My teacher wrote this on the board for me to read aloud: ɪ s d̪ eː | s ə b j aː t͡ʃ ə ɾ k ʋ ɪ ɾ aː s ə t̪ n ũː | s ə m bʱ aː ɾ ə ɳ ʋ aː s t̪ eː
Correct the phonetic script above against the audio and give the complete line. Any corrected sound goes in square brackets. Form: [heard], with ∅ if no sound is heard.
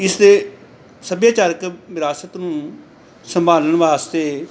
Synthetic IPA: ɪ s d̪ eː | s ə b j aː t͡ʃ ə ɾ k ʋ ɪ ɾ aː s ə t̪ n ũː | s ə m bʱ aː [l] ə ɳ ʋ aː s t̪ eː